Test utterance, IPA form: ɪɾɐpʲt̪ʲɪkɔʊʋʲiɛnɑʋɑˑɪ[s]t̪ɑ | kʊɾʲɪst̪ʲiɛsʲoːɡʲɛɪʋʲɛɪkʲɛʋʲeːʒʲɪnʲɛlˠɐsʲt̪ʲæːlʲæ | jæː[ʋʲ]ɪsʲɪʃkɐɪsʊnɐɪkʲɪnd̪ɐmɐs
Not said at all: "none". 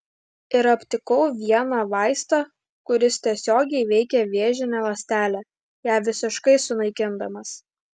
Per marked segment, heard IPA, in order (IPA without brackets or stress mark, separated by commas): s, ʋʲ